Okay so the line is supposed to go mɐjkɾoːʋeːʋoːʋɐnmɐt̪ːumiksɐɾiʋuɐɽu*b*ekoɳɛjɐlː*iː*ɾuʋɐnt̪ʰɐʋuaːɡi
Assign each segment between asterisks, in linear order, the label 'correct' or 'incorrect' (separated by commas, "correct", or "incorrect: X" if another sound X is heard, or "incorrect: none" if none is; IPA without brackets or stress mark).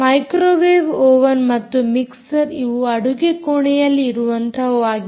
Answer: incorrect: ɡ, correct